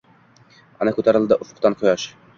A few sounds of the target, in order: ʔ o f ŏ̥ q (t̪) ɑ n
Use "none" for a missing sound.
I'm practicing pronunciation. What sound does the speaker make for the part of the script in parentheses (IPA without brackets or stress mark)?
t̪